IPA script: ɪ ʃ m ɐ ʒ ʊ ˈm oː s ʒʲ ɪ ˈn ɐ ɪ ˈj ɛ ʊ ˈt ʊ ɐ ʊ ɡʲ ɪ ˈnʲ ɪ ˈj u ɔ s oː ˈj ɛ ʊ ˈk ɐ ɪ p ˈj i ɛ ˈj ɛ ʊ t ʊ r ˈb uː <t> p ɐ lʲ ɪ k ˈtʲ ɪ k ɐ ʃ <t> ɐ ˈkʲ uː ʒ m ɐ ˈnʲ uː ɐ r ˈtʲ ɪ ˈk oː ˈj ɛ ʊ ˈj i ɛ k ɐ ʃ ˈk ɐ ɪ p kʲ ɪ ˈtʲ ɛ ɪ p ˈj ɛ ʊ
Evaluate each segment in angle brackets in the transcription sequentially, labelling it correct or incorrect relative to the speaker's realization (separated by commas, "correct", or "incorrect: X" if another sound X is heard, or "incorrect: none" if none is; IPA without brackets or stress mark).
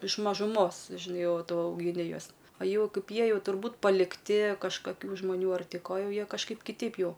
correct, incorrect: k